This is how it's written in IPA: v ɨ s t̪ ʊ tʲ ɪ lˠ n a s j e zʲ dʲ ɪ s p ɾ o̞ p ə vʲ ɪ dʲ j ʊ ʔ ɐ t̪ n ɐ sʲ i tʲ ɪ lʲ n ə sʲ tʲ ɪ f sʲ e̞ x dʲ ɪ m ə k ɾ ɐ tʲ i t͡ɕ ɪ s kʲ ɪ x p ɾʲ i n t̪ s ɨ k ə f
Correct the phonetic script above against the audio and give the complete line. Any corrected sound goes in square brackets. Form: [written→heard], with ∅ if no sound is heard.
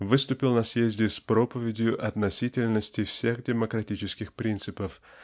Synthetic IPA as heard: v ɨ s t̪ ʊ [tʲ→pʲ] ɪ lˠ n [a→ɐ] s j e zʲ dʲ ɪ s p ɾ o̞ p ə vʲ ɪ dʲ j ʊ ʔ ɐ t̪ n ɐ sʲ i tʲ ɪ lʲ n ə sʲ tʲ ɪ f sʲ e̞ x dʲ ɪ m ə k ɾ ɐ tʲ i t͡ɕ ɪ s kʲ ɪ x p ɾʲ i n t̪ s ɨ [k→p] ə f